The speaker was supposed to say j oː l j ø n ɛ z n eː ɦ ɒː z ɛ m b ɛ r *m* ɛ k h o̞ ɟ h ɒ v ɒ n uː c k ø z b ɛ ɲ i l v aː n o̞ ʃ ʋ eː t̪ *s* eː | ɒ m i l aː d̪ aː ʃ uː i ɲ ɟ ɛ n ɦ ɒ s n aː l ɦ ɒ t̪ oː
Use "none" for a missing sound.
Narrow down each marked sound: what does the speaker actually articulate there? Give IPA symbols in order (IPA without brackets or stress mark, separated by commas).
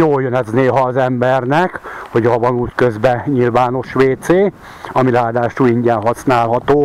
n, s